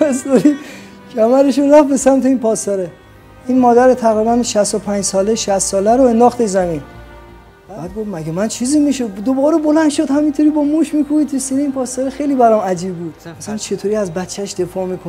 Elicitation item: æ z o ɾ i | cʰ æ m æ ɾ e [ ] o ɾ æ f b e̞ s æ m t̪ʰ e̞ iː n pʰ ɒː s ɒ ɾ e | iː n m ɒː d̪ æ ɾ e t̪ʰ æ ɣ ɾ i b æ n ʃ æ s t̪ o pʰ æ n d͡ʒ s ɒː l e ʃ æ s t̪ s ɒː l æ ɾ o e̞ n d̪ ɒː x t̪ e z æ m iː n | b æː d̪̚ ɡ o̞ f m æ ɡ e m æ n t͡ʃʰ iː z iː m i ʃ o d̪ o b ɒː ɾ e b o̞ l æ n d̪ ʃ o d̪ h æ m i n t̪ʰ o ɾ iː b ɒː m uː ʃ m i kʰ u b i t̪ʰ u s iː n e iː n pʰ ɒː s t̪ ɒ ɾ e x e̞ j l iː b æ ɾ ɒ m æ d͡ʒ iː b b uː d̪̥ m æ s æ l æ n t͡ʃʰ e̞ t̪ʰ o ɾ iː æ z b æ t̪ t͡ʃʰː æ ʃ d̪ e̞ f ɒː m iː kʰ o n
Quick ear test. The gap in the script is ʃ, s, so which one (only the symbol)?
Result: ʃ